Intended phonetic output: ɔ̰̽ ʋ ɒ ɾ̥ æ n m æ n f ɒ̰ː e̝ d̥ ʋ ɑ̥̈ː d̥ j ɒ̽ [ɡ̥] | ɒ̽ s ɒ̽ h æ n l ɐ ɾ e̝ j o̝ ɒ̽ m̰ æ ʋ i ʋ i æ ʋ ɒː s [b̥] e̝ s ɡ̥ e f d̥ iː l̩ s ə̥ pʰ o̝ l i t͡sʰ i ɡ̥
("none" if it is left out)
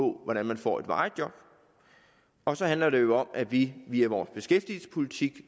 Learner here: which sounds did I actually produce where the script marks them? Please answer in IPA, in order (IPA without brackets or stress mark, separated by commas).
b̥, b̥